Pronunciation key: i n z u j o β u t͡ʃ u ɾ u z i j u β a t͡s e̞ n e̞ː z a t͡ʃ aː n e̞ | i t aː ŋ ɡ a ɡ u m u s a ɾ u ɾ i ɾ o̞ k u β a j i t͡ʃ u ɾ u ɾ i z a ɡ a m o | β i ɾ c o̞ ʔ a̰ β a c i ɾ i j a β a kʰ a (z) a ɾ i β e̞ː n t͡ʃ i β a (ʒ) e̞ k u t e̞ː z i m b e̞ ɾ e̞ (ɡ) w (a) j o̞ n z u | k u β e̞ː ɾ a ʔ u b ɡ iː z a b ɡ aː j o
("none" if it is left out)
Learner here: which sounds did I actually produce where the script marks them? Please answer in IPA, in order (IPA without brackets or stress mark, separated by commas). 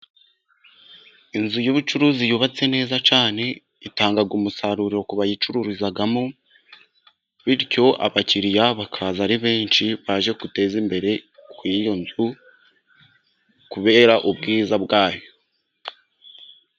z, ʒ, k, i